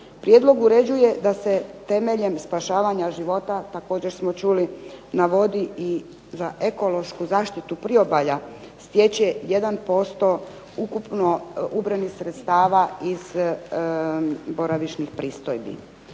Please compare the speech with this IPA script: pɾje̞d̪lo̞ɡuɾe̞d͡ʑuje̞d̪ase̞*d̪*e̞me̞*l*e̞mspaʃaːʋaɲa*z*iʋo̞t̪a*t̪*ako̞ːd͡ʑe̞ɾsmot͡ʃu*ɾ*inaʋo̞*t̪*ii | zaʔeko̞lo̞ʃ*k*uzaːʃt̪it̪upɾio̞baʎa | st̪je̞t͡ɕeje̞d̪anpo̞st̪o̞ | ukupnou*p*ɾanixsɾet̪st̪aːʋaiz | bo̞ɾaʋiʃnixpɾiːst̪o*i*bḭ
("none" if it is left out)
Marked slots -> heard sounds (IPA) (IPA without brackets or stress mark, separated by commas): t̪, ʎ, ʒ, t̪, l, d̪, k, b, j